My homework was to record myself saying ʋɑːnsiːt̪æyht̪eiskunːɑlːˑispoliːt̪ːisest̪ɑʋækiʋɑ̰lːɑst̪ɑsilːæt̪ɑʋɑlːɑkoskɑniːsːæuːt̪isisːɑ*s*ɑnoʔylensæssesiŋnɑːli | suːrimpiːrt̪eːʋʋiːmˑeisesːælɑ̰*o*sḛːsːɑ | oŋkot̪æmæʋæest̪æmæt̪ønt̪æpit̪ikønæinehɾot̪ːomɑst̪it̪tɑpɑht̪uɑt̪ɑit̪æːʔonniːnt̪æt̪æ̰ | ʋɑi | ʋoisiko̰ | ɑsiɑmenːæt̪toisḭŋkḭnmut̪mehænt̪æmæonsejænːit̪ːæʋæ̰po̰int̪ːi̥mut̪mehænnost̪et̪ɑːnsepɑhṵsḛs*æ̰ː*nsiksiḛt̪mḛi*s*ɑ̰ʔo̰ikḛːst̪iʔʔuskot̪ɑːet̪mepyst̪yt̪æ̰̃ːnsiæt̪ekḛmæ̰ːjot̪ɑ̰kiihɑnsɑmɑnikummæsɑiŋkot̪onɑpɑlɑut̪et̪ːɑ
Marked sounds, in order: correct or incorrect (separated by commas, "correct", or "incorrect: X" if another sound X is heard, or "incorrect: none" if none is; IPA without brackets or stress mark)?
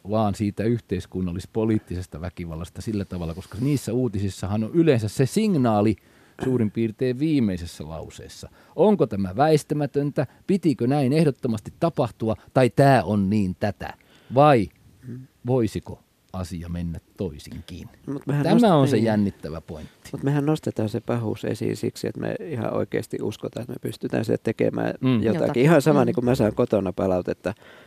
incorrect: h, incorrect: u, incorrect: ḭː, incorrect: h